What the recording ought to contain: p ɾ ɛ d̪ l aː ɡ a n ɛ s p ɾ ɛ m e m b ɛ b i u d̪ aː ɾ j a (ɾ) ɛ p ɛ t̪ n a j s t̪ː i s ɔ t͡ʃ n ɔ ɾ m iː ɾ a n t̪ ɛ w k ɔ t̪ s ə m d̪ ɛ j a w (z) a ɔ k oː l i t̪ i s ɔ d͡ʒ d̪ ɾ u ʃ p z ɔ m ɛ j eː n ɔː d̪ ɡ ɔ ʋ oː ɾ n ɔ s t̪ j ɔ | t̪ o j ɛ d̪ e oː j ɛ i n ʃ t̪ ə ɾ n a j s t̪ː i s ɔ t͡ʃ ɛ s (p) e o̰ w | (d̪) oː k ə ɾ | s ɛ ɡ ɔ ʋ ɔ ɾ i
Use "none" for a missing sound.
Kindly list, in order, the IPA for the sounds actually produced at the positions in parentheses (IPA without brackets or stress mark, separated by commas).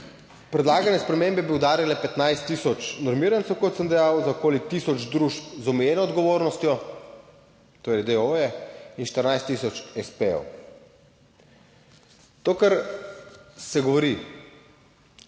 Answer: l, z, p, t̪